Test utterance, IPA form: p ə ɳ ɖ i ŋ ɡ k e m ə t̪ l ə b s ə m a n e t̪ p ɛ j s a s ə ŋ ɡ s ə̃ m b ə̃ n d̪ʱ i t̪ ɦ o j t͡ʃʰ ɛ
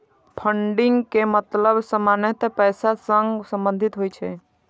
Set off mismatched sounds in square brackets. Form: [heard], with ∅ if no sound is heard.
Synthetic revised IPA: [pʰ] ə ɳ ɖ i ŋ ɡ k e m ə t̪ l ə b s ə m a n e t̪ p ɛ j s a s ə ŋ ɡ s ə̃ m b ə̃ n d̪ʱ i t̪ ɦ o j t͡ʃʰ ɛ